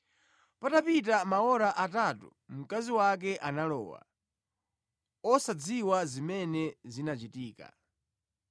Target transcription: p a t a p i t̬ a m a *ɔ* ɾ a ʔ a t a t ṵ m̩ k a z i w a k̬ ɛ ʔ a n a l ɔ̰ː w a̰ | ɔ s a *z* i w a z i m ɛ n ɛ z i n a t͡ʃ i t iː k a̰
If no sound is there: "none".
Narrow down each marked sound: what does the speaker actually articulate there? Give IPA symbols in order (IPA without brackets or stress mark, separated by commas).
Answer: ɔ, d͡z